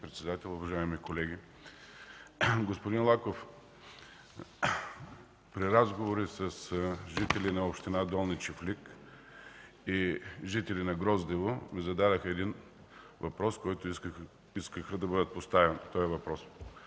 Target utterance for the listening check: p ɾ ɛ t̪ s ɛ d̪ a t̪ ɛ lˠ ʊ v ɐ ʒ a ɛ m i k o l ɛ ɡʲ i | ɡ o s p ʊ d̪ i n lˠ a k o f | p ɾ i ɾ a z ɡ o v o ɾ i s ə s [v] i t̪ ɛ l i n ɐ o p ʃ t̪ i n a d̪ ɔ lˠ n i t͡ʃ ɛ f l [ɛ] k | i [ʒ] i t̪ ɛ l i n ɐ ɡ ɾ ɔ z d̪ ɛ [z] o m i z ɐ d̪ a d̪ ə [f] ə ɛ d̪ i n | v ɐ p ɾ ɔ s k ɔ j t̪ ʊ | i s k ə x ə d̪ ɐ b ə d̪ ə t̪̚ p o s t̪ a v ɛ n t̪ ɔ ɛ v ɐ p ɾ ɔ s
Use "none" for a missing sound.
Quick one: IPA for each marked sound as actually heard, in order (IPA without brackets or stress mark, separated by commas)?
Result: ʒ, i, ʒ, v, x